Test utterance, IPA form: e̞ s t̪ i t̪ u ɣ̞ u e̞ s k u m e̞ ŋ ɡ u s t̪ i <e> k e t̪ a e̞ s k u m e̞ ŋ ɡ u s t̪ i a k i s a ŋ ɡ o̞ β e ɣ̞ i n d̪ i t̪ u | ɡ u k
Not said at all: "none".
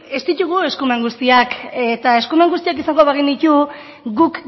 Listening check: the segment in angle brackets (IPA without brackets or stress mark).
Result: a